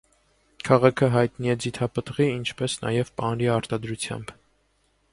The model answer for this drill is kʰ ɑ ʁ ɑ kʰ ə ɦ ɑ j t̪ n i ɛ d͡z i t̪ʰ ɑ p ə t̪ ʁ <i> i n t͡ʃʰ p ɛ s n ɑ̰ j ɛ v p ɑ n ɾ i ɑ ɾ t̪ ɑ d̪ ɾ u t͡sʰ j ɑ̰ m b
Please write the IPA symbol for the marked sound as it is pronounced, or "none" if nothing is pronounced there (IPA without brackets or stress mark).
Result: i